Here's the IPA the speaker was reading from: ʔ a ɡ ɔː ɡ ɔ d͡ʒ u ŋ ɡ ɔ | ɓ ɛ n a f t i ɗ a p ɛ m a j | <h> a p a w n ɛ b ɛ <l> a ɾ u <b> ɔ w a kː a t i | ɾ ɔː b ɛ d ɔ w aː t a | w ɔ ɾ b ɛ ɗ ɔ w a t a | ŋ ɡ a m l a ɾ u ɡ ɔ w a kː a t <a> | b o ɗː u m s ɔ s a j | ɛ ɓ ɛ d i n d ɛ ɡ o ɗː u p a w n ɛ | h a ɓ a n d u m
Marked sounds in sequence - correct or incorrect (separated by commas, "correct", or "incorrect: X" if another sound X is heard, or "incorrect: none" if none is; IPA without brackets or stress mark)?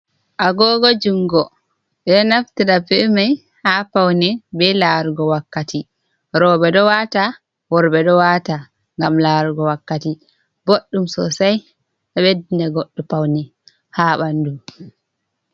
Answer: correct, correct, incorrect: ɡ, incorrect: i